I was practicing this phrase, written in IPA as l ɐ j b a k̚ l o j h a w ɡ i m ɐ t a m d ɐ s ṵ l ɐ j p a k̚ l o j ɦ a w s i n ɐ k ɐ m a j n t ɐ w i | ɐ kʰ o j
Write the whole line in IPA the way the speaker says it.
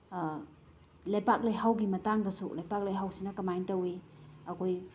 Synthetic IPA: l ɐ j p a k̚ l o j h a w ɡ i m ɐ t a ŋ d ɐ s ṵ l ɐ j p a k̚ l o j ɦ a w s i n ɐ k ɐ m a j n t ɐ w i | ɐ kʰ o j